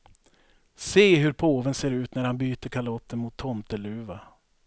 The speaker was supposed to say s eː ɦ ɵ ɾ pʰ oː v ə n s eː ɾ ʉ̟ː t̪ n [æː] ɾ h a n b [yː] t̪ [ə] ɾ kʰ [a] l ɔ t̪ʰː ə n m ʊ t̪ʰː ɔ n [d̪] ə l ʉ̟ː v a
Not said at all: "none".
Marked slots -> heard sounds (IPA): æ, yː, ə, a, t̪

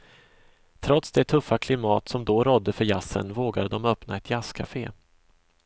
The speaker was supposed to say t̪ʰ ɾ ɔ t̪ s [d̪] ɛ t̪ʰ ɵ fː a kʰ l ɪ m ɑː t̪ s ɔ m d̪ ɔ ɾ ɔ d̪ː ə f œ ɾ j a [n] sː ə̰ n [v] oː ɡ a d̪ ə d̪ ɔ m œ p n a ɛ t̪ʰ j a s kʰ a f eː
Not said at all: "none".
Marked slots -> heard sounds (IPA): d̪, none, v

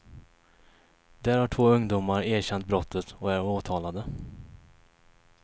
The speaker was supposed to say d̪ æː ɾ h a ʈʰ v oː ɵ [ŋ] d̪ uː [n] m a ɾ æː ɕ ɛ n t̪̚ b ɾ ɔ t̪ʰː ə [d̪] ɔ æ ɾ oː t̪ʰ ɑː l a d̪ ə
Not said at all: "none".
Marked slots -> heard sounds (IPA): ŋ, none, t̪

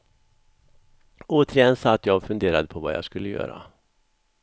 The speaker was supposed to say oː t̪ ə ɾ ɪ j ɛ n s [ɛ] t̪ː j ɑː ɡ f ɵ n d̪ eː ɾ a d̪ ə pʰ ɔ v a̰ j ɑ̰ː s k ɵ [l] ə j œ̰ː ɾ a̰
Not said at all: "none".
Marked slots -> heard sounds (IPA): a, lː

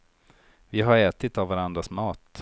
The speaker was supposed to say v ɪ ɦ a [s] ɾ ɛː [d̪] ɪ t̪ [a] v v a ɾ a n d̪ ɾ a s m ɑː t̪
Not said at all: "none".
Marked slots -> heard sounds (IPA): none, t̪, a

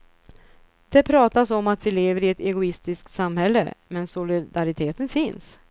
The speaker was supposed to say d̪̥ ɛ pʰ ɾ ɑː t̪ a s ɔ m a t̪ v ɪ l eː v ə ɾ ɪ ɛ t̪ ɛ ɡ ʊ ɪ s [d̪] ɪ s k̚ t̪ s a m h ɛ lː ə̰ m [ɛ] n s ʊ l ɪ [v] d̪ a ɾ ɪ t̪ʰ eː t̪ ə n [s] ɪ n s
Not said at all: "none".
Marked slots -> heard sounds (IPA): t̪, ɛ, none, f

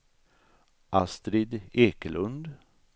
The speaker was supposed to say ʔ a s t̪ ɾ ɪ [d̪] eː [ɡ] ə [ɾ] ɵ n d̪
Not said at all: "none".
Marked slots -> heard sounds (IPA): d̪, k, l

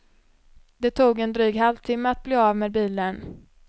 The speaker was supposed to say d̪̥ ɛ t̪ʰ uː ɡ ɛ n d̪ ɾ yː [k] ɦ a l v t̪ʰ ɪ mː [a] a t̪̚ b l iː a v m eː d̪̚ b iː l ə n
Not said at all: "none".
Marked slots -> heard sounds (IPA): ɡ, ə

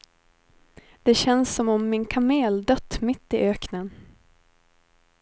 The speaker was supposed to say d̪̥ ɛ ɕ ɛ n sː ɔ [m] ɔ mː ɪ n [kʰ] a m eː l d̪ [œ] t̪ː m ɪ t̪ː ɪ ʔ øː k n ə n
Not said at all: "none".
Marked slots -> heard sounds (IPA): m, kʰ, œ

